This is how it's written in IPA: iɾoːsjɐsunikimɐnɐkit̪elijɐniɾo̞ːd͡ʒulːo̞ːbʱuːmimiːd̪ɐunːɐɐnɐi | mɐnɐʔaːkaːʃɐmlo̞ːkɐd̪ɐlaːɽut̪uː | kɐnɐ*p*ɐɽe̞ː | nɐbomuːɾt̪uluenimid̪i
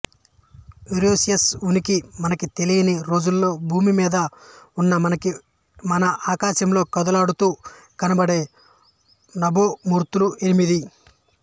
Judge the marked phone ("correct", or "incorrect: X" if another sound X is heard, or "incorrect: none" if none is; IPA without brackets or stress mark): incorrect: b